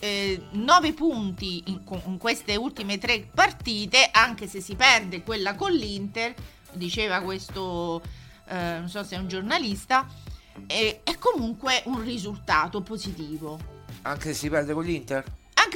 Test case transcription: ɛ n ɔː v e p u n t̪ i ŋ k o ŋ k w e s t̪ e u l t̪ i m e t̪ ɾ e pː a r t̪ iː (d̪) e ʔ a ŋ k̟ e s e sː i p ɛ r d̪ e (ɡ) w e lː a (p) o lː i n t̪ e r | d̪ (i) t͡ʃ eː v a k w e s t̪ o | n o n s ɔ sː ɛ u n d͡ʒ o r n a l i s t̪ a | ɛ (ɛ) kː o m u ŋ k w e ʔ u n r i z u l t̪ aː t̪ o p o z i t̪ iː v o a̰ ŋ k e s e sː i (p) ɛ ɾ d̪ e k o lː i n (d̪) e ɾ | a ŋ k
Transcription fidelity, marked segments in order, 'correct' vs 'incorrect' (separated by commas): incorrect, incorrect, incorrect, correct, correct, correct, incorrect